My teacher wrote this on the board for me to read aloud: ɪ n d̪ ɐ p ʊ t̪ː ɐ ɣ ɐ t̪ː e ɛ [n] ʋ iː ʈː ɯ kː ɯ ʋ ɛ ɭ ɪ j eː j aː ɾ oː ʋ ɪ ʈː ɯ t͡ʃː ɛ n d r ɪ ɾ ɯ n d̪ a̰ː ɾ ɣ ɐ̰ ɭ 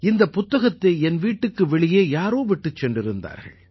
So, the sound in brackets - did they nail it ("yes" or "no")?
yes